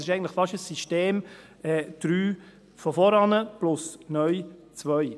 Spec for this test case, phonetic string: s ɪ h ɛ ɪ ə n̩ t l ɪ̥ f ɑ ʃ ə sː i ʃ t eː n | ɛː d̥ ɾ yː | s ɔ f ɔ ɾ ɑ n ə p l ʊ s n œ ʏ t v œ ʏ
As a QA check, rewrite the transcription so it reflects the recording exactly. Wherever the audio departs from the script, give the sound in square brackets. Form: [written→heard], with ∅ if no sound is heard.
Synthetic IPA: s ɪ [h→ʃ] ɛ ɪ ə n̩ t l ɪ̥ f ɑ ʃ ə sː i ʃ t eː [n→m] | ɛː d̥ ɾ yː | [s→f] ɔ f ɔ ɾ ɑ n ə p l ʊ s n œ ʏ [t→t͡s] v œ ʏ